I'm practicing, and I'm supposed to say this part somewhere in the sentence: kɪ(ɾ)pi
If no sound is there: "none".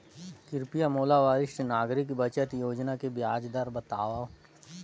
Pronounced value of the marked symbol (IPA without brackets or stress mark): ɾ